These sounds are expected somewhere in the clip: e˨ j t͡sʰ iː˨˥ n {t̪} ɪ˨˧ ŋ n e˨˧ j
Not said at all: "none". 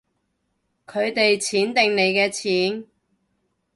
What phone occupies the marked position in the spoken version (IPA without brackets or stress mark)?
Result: t̪